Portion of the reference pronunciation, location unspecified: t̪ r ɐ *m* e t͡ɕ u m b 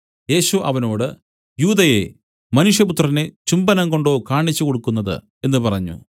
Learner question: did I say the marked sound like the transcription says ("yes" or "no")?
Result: no